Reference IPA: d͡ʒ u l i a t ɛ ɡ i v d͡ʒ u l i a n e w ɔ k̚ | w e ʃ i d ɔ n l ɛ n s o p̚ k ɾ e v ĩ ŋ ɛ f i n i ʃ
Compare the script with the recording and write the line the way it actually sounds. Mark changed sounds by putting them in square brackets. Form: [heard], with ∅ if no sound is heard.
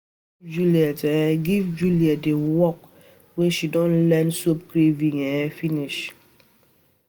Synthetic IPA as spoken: d͡ʒ u l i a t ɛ ɡ i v d͡ʒ u l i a [d] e w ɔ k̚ | w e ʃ i d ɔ n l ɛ n s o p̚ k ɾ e v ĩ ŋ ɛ f i n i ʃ

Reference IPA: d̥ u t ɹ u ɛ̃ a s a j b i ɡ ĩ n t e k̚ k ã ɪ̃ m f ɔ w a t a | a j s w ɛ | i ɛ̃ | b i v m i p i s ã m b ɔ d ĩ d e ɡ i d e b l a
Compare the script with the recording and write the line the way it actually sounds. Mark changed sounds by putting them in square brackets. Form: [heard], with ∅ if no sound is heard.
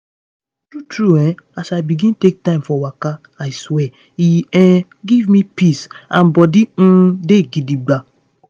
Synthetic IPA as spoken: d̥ u t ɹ u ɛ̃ a s a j b i ɡ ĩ n t e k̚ [t] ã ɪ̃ m f ɔ w a [k] a | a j s w ɛ | i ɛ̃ | [ɡ] i v m i p i s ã [n] b ɔ d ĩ d e ɡ i d [i] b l a

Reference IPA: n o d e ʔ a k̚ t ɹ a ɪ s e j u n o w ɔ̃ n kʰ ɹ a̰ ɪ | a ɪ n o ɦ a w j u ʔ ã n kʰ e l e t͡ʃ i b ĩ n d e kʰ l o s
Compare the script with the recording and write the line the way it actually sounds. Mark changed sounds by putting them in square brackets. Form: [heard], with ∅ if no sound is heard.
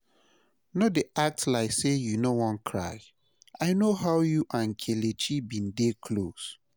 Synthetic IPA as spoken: n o d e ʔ a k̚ t [l] a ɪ s e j u n o w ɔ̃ n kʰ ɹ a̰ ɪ | a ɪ n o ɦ a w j u ʔ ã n kʰ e l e t͡ʃ i b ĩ n d e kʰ l o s

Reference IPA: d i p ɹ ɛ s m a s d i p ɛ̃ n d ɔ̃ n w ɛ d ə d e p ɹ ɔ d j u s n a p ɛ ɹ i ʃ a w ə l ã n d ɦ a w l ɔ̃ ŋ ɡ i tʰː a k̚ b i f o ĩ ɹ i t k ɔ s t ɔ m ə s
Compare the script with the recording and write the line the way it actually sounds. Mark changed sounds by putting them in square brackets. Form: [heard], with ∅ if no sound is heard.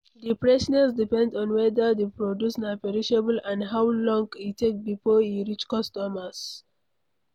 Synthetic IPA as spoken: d i p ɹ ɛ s [n] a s d i p ɛ̃ n d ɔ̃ n w ɛ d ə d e p ɹ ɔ d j u s n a p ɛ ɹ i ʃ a [b] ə l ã n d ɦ a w l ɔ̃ ŋ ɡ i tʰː [e] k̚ b i f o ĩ ɹ i [t͡ʃ] k ɔ s t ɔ m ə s

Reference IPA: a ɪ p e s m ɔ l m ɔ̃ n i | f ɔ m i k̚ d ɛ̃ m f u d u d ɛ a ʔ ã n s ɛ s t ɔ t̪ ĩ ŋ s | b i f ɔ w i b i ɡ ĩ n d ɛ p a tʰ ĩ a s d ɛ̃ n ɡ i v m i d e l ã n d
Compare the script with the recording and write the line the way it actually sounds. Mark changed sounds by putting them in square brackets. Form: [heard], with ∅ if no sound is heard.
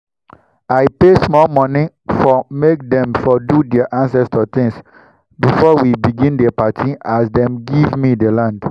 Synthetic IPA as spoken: a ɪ p e s m ɔ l m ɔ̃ n i | f ɔ m [e] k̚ d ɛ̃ m f [ɔ] d u d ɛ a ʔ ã n s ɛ s t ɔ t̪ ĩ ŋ s | b i f ɔ w i b i ɡ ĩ n d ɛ p a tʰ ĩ a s d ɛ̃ [m] ɡ i v m i d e l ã n d

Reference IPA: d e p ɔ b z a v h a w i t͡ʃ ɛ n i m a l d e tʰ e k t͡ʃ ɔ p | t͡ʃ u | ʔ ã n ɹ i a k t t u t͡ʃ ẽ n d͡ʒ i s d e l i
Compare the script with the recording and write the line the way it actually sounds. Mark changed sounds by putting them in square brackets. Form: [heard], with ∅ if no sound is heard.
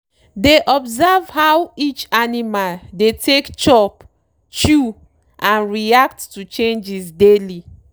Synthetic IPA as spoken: d e [ʔ] ɔ b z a v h a w i t͡ʃ [a] n i m a l d e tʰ e k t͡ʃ ɔ p | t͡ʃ u | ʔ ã n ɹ i a k t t u t͡ʃ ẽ n d͡ʒ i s d e l i

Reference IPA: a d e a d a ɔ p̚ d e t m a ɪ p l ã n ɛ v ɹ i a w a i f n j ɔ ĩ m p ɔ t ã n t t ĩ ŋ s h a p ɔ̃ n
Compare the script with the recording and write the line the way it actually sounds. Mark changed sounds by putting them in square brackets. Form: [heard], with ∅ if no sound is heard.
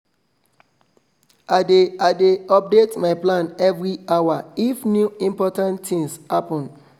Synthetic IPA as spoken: a d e a d [e] ɔ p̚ d e t m a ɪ p l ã n ɛ v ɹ i a w a i f n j [u] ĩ m p ɔ t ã n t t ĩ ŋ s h a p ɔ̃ n

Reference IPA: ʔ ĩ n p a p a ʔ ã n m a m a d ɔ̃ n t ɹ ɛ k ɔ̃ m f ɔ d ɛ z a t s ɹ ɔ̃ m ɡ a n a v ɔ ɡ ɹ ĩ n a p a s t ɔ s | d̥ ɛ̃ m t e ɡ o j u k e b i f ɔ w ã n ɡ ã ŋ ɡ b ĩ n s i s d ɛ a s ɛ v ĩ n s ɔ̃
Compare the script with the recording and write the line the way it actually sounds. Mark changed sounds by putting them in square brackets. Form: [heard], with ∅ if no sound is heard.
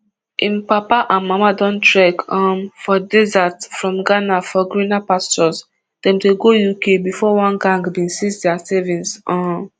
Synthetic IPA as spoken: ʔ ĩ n p a p a ʔ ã n m a m a d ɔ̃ n t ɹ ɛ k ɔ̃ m f ɔ d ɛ z a t [f] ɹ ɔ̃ m ɡ a n a [f] ɔ ɡ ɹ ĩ n a p a s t ɔ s | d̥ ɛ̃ m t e ɡ o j u k e b i f ɔ w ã n ɡ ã ŋ ɡ b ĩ n s i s d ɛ a s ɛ v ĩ n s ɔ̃

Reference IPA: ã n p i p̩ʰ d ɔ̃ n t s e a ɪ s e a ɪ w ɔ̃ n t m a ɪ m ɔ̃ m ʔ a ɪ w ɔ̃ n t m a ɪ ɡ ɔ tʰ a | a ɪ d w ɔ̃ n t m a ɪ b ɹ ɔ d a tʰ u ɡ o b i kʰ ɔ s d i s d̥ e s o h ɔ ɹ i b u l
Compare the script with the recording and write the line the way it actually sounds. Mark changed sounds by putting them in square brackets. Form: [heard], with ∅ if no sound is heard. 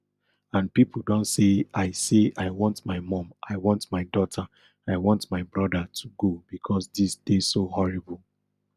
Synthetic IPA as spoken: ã n p i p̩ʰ d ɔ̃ n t s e a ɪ s e a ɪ w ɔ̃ n t m a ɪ m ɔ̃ m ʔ a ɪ w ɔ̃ n t m a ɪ [d] ɔ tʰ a | a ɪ [∅] w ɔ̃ n t m a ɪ b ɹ ɔ d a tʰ u ɡ o b i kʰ ɔ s d i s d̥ e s o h ɔ ɹ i b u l

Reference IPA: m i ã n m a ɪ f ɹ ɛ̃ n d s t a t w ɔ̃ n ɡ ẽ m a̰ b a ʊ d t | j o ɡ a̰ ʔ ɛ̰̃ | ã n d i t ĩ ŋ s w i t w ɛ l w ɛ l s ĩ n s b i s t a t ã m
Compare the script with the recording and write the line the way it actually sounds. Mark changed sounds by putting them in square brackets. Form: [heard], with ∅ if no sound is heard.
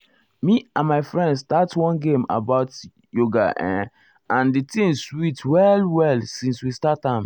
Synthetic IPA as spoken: m i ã n m a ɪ f ɹ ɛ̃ n d s t a t w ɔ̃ n ɡ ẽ m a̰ b a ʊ [∅] t | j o ɡ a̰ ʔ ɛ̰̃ | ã n d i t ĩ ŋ s w i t w ɛ l w ɛ l s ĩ n s [w] i s t a t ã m

